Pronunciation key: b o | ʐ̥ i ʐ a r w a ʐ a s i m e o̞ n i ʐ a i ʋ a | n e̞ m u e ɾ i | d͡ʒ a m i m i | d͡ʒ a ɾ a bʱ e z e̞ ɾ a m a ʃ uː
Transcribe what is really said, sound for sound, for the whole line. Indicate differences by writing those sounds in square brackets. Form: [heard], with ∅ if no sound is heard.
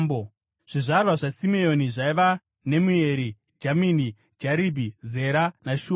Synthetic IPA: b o | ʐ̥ i ʐ a r w a ʐ a s i m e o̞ n i ʐ a i ʋ a | n e̞ m u e ɾ i | d͡ʒ a m i [n] i | d͡ʒ a ɾ [i] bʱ [i] z e̞ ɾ a [n] a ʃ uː